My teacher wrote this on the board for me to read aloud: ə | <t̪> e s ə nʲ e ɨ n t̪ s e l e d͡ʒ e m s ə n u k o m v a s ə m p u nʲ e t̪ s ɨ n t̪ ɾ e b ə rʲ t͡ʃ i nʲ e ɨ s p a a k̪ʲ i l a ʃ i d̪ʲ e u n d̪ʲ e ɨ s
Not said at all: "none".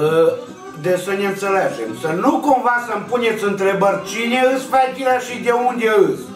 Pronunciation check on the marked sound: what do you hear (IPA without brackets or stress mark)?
d̪